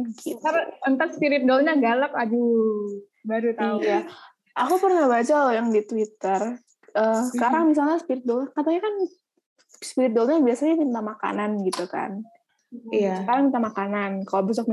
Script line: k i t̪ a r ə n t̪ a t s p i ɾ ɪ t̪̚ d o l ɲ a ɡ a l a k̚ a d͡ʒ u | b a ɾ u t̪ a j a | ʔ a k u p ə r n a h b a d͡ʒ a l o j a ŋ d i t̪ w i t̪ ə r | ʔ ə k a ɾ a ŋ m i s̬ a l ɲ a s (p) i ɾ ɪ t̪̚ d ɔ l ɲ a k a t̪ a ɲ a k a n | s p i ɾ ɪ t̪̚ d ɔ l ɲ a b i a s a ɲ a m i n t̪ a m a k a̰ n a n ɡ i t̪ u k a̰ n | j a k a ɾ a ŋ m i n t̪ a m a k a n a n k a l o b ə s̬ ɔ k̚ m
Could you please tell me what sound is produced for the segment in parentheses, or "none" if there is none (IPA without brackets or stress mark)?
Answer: p